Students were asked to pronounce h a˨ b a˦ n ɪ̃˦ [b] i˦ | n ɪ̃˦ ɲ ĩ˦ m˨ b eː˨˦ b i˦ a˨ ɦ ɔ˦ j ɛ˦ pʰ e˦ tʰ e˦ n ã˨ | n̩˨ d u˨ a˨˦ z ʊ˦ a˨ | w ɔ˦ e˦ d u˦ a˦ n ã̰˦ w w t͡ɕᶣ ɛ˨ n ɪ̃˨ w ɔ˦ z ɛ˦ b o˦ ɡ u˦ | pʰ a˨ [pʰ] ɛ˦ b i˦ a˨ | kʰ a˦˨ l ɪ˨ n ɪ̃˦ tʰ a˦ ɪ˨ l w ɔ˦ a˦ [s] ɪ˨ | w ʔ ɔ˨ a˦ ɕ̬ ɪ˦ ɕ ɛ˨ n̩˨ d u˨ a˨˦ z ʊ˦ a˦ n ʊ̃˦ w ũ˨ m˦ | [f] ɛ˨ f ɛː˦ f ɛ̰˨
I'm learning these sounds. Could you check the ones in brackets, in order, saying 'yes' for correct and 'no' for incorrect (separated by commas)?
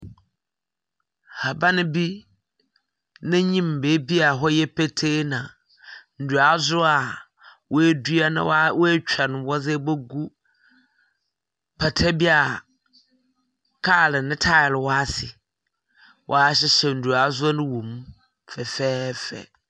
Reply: yes, no, yes, yes